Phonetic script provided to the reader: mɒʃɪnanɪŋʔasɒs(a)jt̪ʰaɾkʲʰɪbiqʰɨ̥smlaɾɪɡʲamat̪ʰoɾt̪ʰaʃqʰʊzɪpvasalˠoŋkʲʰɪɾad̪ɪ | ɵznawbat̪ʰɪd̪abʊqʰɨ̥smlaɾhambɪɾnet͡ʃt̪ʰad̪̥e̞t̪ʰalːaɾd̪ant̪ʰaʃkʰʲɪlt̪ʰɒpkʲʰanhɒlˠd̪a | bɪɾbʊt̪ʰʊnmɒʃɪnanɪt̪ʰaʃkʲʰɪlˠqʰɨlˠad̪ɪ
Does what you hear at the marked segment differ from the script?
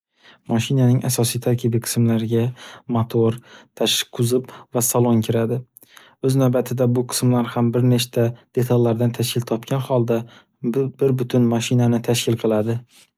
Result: yes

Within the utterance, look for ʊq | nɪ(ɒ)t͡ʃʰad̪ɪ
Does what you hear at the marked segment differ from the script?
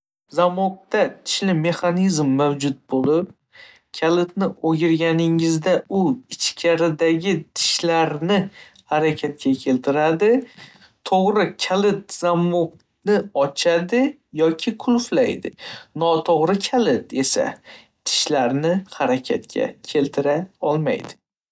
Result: no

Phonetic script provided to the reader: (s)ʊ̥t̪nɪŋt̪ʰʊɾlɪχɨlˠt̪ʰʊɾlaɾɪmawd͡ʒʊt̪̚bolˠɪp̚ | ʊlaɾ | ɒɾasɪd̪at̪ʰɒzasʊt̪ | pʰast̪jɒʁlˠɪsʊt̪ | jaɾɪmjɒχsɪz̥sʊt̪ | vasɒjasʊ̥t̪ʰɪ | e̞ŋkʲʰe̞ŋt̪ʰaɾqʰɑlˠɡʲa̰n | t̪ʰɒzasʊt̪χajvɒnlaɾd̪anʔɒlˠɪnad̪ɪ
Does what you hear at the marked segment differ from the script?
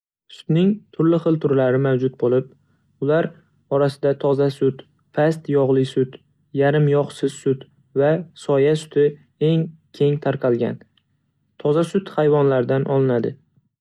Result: no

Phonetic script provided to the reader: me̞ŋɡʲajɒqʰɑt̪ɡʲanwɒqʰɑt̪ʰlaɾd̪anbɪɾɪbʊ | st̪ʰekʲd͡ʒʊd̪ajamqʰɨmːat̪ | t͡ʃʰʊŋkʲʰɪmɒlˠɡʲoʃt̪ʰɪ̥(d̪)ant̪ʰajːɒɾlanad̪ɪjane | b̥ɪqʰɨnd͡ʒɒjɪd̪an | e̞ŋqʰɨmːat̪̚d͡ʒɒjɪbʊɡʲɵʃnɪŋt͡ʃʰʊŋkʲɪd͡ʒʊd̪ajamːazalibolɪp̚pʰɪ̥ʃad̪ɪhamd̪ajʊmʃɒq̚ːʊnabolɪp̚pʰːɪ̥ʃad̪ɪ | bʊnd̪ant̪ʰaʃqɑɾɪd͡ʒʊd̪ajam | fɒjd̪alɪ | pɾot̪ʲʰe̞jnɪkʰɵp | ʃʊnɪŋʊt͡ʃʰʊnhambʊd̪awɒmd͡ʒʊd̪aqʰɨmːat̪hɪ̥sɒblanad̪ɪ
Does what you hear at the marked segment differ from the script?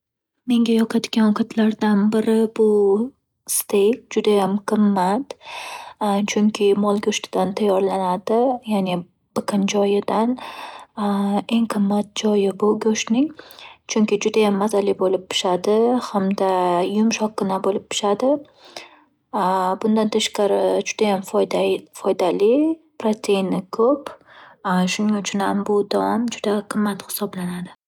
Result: no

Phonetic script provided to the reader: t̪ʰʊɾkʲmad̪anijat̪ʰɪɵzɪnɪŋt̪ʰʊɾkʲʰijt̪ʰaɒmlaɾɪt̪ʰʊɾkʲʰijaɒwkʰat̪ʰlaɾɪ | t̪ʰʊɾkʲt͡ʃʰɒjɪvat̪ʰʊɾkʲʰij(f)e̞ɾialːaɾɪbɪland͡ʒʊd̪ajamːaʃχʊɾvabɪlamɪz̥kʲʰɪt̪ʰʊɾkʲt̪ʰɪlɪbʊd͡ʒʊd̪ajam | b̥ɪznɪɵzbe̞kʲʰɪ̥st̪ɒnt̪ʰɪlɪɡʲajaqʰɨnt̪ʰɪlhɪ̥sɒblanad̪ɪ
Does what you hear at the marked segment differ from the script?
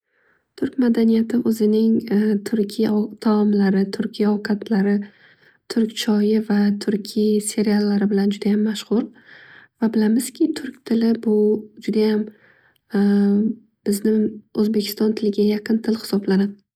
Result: yes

